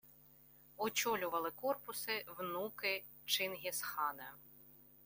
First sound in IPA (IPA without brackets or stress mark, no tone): ɔ